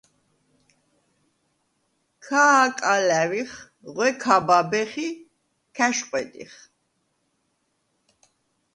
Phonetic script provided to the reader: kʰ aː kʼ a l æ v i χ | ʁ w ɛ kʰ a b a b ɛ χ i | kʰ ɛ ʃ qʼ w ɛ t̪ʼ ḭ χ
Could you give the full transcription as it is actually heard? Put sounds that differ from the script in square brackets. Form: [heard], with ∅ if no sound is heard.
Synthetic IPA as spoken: kʰ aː kʼ a l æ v i χ | ʁ w ɛ kʰ a b a b ɛ χ i | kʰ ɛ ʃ qʼ w ɛ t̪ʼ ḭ χ